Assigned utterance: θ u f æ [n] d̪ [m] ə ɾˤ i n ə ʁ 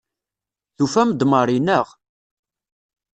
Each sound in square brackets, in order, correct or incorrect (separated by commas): incorrect, correct